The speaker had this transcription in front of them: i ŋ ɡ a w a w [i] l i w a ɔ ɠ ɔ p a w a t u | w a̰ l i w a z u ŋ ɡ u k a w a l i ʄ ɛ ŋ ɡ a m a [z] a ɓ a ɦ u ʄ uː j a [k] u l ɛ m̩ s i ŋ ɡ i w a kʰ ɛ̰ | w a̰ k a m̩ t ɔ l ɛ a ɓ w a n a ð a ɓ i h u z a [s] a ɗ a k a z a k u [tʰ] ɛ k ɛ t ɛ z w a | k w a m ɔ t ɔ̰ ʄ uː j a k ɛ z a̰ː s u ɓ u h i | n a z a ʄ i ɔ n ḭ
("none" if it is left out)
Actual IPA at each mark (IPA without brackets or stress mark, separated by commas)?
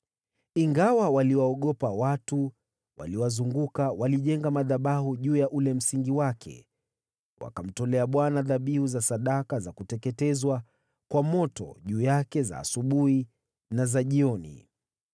a, ð, ʔ, s, t